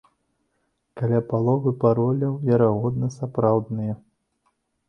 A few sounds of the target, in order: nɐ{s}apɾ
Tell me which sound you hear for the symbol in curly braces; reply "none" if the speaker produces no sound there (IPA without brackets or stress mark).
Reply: s